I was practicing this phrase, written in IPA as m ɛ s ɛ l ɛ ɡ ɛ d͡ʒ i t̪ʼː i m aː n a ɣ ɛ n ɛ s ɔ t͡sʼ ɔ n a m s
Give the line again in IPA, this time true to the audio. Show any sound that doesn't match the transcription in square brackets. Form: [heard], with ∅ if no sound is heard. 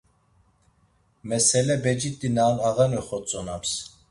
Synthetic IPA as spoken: m ɛ s ɛ l ɛ [b] ɛ d͡ʒ i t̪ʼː i [n] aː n a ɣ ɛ n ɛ [χ] ɔ t͡sʼ ɔ n a m s